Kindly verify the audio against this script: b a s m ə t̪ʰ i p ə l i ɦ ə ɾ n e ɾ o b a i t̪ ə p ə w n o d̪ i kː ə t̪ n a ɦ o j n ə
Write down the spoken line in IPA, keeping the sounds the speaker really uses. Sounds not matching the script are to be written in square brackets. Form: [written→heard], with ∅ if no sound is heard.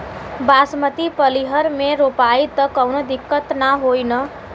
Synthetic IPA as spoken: b a s m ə [t̪ʰ→t̪] i p ə l i ɦ ə ɾ [n→m] e ɾ o [b→p] a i t̪ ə [p→k] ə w n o d̪ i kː ə t̪ n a ɦ o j n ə

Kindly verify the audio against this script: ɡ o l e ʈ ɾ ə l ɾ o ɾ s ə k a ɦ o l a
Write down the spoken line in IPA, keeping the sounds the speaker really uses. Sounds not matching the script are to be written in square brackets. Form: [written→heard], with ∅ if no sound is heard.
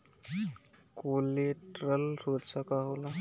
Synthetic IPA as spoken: [ɡ→k] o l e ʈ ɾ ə l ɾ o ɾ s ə k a ɦ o l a

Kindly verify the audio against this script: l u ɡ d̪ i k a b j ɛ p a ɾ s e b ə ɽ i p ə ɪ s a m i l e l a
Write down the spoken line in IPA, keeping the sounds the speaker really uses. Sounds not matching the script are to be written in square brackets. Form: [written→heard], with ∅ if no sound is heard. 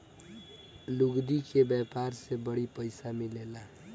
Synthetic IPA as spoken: l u ɡ d̪ i k [a→e] b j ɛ p a ɾ s e b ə ɽ i p ə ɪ s a m i l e l a

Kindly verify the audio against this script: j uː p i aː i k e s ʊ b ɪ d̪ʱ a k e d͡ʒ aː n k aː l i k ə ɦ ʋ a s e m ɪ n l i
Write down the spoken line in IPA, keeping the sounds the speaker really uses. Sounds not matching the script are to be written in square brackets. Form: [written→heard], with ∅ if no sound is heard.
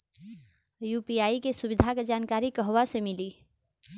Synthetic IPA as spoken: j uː p i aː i k e s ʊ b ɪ d̪ʱ a k e d͡ʒ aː n k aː [l→ɾ] i k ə ɦ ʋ a s e m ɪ [n→∅] l i

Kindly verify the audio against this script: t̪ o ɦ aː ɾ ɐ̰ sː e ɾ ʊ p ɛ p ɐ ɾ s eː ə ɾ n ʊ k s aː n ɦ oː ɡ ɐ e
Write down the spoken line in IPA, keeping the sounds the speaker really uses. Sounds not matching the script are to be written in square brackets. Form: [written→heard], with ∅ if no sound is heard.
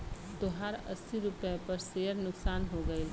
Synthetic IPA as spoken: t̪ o ɦ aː ɾ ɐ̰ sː [e→i] ɾ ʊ p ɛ p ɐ ɾ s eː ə ɾ n ʊ k s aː n ɦ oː ɡ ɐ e

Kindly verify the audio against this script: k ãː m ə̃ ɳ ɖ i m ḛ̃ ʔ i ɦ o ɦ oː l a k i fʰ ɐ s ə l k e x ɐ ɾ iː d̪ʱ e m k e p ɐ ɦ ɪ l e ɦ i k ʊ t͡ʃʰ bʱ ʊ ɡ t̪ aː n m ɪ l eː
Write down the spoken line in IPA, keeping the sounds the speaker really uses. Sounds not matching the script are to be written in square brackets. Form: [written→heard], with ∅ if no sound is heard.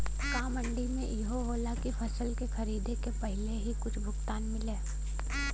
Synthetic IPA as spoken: k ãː m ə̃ ɳ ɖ i m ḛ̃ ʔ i ɦ o ɦ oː l a k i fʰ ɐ s ə l k e x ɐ ɾ iː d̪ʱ e [m→∅] k e p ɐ ɦ ɪ l e ɦ i k ʊ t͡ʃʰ bʱ ʊ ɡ t̪ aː n m ɪ l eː

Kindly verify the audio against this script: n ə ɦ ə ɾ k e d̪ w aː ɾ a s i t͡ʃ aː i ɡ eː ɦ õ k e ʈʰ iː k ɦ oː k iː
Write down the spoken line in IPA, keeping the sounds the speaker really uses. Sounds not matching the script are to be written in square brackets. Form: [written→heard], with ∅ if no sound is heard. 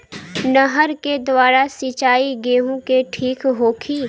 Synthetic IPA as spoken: n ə ɦ ə ɾ k e d̪ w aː ɾ a s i t͡ʃ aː i ɡ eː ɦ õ k e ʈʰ iː k ɦ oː [k→kʰ] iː

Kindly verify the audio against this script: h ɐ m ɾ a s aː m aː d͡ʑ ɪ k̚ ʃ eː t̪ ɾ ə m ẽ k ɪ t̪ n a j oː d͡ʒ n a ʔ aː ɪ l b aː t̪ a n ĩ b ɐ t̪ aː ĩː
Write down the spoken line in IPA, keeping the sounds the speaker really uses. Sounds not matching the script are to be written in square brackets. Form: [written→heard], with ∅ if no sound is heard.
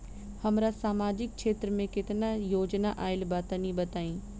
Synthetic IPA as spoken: h ɐ m ɾ a s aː m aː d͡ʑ ɪ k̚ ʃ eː t̪ ɾ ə m ẽ k ɪ t̪ n a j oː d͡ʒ n a ʔ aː ɪ l b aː t̪ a n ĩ b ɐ t̪ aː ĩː

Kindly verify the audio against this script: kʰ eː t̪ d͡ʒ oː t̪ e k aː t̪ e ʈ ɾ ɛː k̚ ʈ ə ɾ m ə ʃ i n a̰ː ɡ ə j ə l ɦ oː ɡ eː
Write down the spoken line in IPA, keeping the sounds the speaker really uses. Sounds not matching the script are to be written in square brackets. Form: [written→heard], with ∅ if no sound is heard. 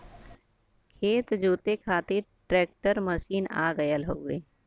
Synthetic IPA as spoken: kʰ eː t̪ d͡ʒ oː t̪ e [k→kʰ] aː t̪ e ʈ ɾ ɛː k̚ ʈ ə ɾ m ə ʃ [i→iː] n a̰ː ɡ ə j ə l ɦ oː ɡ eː

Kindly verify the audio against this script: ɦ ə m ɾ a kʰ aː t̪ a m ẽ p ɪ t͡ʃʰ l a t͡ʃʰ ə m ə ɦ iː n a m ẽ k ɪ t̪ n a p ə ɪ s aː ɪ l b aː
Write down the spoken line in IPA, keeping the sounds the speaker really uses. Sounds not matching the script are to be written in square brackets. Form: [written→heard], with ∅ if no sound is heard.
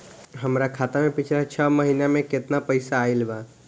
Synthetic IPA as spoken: ɦ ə m ɾ a kʰ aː t̪ a m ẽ p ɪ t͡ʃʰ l a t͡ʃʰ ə m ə ɦ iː n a m ẽ k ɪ t̪ n a p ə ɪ s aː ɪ l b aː

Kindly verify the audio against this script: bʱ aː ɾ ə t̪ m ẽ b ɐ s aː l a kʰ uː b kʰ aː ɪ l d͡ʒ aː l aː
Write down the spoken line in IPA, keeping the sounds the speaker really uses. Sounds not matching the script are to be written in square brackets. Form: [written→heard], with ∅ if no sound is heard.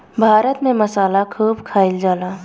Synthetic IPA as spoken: bʱ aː ɾ ə t̪ m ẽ [b→m] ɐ s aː l a kʰ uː b kʰ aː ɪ l d͡ʒ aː l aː

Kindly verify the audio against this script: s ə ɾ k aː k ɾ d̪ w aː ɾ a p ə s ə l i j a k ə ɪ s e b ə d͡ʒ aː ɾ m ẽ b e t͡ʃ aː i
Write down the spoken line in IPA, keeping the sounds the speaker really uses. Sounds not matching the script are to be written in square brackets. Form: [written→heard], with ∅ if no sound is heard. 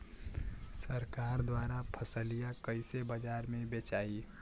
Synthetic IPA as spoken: s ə ɾ k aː [k→∅] ɾ d̪ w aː ɾ a [p→pʰ] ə s ə l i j a k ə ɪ s e b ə d͡ʒ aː ɾ m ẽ b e t͡ʃ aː i

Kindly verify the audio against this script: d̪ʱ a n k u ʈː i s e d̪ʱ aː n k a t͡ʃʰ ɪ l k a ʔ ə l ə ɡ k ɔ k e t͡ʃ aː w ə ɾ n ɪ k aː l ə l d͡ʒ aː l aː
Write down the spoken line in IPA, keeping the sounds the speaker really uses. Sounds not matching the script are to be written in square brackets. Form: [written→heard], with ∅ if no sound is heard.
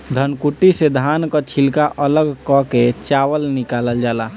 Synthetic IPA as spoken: d̪ʱ [a→ə] n k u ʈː i s e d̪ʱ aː n k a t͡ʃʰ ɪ l k a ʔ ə l ə ɡ k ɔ k e t͡ʃ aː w ə [ɾ→l] n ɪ k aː l ə l d͡ʒ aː l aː

